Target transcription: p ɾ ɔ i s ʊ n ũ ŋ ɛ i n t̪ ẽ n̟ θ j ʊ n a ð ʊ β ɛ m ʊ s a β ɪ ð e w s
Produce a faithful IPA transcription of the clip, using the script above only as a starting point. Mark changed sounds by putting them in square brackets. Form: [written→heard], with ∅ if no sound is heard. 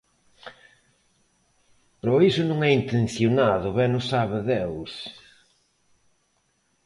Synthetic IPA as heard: p ɾ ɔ i s ʊ n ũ ŋ ɛ i n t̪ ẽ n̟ θ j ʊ n a ð ʊ β ɛ [m→n] ʊ s a β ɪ ð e w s